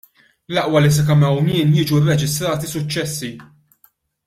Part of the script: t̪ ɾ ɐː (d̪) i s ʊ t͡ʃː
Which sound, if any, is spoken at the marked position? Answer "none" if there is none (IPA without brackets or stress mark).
t̪